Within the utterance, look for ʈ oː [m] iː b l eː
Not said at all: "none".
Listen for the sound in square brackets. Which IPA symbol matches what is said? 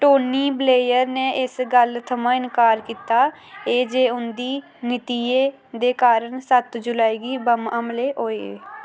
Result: n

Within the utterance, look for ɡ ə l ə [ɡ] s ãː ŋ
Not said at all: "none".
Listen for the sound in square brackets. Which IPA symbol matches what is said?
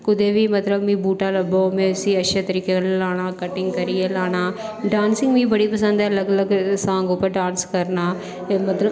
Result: ɡ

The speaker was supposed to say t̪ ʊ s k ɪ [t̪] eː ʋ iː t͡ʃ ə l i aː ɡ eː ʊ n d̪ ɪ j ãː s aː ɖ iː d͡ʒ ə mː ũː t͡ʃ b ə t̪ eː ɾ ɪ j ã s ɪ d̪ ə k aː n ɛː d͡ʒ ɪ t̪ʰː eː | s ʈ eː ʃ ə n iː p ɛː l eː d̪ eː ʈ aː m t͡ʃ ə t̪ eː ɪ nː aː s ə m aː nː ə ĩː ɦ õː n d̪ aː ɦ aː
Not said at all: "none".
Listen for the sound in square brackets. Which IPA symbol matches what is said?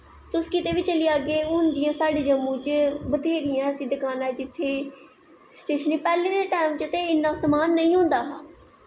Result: t̪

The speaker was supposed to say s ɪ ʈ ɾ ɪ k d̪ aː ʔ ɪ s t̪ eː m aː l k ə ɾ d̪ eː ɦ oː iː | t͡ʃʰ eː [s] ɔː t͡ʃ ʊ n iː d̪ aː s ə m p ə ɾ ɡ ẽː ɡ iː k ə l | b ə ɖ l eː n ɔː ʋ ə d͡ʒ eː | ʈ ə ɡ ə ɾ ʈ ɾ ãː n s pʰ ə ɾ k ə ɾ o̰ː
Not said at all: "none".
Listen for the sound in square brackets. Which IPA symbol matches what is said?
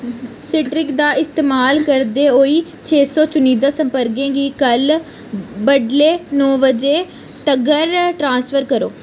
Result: s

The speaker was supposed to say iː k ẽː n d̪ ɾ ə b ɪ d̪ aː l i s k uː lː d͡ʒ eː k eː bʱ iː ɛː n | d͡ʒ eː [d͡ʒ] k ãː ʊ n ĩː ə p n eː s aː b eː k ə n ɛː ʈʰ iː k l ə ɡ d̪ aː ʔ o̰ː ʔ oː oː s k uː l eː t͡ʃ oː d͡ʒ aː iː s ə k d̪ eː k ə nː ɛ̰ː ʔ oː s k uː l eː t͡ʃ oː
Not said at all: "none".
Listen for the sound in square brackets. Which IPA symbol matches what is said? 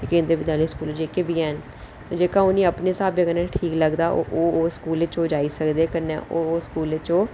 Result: none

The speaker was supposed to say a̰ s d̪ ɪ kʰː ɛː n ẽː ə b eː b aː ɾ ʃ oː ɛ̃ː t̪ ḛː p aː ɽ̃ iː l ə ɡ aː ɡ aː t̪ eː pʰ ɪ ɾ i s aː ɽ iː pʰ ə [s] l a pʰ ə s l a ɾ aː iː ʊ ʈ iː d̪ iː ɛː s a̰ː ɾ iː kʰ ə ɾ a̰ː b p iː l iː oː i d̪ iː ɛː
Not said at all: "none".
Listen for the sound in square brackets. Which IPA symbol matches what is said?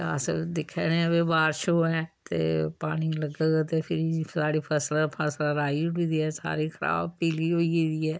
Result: s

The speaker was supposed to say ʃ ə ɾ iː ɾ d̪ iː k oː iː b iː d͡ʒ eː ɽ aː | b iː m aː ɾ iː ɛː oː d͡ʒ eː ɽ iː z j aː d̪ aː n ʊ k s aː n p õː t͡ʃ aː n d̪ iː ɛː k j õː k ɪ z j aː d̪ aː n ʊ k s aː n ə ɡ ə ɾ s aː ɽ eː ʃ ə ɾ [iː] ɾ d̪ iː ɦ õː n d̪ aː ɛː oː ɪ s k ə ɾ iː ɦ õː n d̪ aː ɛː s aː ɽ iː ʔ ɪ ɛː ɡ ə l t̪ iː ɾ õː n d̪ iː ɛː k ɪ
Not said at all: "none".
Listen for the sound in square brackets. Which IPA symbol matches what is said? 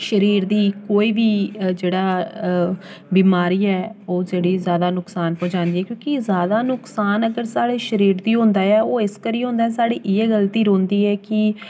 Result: iː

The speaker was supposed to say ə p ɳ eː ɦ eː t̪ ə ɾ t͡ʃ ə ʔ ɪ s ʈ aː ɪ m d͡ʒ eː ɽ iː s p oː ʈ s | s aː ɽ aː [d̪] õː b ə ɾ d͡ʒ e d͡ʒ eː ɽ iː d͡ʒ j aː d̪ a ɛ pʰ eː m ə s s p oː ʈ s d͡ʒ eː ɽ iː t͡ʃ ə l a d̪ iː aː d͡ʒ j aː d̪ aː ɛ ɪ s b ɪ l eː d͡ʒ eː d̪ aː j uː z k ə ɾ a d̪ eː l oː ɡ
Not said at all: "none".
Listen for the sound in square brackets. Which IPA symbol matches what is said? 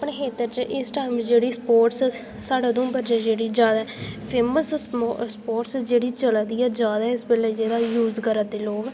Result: d̪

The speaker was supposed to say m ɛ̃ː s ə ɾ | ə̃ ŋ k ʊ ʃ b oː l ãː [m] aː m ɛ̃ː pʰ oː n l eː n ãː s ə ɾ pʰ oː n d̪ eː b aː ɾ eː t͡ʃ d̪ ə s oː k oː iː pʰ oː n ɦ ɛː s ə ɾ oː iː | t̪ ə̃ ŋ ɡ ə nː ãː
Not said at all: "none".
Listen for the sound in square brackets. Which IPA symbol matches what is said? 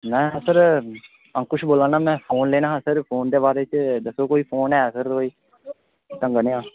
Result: n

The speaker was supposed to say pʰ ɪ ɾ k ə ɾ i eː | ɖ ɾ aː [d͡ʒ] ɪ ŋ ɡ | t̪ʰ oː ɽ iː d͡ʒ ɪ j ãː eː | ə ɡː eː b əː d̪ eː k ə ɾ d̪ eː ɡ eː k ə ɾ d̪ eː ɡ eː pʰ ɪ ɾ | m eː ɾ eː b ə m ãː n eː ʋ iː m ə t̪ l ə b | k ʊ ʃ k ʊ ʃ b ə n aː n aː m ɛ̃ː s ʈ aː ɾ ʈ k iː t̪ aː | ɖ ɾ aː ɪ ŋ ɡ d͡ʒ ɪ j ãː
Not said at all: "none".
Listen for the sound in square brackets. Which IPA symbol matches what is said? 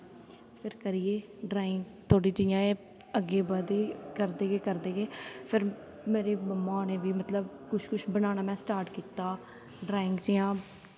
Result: none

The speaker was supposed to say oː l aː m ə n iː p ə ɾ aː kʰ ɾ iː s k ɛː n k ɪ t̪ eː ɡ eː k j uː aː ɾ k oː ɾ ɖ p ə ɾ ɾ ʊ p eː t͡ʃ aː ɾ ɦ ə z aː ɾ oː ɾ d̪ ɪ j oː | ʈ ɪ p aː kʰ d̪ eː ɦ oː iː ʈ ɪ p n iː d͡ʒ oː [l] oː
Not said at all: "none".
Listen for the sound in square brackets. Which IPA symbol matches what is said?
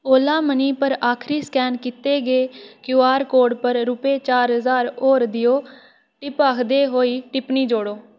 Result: ɽ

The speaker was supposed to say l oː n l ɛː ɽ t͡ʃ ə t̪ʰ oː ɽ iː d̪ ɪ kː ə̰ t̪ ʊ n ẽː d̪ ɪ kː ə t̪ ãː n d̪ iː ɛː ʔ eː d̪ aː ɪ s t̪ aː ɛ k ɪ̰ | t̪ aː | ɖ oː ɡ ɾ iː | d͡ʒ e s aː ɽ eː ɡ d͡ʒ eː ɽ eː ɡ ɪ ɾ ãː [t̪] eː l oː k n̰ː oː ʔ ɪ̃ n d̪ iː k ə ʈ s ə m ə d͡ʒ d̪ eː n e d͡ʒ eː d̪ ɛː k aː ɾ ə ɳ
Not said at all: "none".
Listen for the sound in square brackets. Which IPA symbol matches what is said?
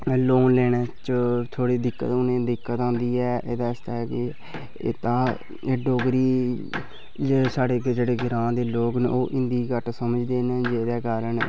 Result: d̪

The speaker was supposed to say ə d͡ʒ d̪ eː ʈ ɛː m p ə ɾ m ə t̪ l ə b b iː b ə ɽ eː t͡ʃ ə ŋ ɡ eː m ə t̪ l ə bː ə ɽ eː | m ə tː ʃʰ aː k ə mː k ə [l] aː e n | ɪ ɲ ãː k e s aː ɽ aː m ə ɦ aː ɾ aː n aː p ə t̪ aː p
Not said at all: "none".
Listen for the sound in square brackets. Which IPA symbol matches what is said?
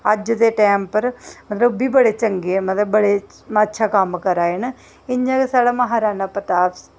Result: ɾ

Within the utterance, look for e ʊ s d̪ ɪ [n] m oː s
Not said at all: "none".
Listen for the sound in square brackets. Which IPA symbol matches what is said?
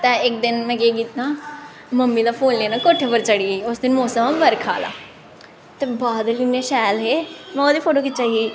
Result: n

